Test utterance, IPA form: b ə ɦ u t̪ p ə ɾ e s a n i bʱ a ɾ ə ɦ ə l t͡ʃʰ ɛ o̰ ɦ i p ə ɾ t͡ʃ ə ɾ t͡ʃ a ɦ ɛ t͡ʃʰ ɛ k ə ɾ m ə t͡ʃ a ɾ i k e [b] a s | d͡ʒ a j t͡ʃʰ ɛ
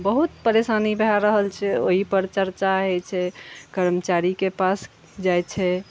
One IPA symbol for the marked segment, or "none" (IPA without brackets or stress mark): p